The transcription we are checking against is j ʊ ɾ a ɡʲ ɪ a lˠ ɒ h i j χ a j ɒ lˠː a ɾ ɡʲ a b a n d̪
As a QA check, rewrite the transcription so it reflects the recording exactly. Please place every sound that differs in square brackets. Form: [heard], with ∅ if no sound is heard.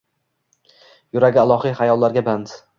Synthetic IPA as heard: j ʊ ɾ a ɡʲ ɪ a lˠ ɒ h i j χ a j ɒ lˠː a ɾ ɡʲ a b a n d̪